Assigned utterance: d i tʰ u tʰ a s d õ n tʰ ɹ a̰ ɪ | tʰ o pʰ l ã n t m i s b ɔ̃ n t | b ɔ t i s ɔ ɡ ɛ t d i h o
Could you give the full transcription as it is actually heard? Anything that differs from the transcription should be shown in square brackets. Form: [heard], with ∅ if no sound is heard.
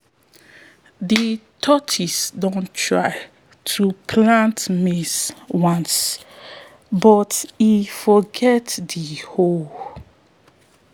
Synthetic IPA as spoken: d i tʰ [ɔ] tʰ [i] s d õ n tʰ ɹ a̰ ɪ | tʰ [u] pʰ l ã n t m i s [w] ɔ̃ n [s] | b ɔ t i [f] ɔ ɡ ɛ t d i h o